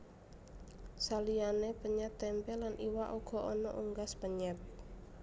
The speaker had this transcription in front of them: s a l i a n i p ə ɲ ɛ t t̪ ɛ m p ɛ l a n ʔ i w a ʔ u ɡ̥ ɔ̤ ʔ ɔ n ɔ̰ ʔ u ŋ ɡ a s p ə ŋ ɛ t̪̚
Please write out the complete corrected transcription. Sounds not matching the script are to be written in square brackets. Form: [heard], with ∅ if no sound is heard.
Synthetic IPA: s a l i a n [e] p ə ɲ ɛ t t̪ ɛ m p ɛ l a n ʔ i w a ʔ u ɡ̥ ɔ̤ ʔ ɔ n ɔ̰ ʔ u ŋ ɡ a s p ə [ɲ] ɛ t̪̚

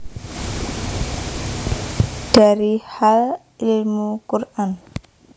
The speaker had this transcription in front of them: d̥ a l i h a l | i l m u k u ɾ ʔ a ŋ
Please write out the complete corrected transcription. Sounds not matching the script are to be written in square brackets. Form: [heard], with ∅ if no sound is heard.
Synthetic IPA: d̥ a [ɾ] i h a l | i l m u k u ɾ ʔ a [n]

